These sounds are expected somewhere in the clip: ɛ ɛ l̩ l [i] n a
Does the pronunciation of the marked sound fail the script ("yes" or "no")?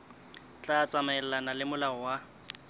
yes